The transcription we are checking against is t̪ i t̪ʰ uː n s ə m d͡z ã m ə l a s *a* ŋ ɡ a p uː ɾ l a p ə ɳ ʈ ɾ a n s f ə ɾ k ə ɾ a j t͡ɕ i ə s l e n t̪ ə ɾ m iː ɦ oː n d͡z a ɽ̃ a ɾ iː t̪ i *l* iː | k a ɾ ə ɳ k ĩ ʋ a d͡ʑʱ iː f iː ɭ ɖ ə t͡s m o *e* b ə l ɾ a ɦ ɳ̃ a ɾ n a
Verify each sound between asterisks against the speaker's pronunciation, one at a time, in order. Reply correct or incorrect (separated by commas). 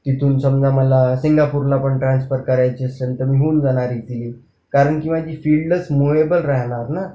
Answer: incorrect, correct, correct